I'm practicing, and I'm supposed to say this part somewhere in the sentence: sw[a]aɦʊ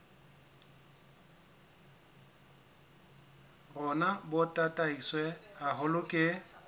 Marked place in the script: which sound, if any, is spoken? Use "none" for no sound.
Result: ɛ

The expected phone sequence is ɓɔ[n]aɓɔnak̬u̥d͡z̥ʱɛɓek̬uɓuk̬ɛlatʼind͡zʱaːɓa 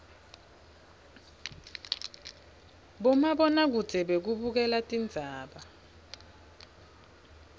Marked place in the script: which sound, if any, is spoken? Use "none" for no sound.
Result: m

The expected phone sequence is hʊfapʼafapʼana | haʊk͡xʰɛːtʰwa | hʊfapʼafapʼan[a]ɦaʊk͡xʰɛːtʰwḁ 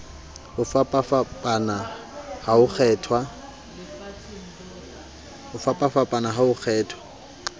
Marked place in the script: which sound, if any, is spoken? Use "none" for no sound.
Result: a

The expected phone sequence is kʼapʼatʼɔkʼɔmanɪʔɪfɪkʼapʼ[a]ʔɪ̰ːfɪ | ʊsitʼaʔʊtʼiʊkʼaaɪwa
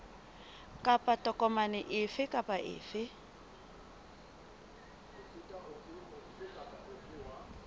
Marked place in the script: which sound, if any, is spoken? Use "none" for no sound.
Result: a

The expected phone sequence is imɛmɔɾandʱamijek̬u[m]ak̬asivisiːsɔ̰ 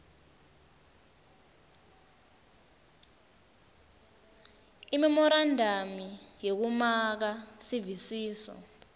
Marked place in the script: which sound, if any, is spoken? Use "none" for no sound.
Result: m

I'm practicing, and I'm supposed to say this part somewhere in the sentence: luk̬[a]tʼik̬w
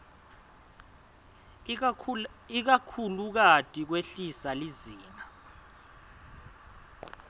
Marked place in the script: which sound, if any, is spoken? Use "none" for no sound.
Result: a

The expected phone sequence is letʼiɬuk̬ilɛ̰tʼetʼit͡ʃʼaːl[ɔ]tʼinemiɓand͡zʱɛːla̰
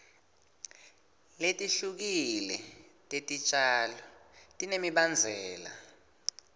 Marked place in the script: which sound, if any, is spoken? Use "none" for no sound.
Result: ɔ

